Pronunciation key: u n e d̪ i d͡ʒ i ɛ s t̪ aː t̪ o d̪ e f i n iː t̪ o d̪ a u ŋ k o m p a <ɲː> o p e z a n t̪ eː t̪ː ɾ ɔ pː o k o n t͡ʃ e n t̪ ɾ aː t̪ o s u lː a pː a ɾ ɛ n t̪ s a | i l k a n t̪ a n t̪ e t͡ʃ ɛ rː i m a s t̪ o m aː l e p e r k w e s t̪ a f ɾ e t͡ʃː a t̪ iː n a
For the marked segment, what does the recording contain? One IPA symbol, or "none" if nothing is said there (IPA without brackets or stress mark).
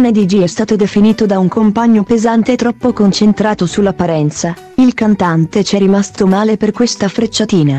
ɲː